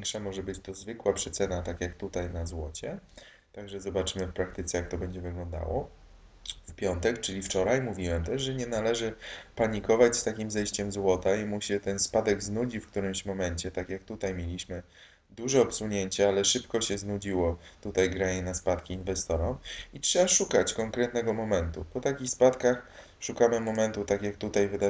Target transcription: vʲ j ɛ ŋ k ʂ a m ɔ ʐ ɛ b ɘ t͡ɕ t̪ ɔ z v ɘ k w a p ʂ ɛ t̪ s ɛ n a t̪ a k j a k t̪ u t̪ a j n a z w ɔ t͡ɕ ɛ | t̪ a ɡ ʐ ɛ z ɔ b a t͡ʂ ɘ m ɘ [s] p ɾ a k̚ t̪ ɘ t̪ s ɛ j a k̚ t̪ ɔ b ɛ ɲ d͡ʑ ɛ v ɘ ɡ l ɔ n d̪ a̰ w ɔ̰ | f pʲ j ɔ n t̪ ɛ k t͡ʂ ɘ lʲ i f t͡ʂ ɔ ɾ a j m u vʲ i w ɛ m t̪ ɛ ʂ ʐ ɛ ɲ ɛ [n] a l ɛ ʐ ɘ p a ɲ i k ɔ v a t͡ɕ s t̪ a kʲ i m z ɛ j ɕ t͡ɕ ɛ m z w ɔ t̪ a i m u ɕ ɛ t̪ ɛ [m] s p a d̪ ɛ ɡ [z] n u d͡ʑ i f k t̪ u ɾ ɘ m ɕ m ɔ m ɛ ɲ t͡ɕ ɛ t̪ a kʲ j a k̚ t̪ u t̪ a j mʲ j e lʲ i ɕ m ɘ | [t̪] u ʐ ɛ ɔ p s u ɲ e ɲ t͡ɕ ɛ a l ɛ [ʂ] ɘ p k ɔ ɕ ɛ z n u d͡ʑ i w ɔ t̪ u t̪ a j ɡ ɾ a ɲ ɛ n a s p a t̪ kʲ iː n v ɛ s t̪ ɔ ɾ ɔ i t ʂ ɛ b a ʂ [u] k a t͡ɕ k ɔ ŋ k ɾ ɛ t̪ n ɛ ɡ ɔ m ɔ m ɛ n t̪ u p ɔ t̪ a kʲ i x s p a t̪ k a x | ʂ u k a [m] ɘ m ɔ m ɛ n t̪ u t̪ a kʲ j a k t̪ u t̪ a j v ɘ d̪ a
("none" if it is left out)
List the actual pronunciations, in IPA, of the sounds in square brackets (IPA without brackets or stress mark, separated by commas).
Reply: f, n, n, z, d̪, ʂ, u, m